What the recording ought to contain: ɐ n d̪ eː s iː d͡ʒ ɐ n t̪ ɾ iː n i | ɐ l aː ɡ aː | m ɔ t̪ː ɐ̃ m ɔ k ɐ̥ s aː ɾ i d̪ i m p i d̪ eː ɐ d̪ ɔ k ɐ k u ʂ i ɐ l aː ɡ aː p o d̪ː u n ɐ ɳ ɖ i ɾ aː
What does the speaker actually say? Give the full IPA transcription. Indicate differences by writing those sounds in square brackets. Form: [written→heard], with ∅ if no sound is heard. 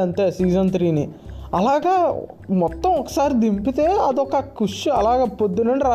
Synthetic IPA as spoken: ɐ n [d̪→t̪] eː s iː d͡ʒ ɐ n t̪ ɾ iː n i | ɐ l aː ɡ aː | m ɔ t̪ː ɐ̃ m ɔ k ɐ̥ s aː ɾ i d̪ i m p i [d̪→t̪] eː ɐ d̪ ɔ k ɐ k u ʂ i ɐ l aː ɡ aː p o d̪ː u n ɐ ɳ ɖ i ɾ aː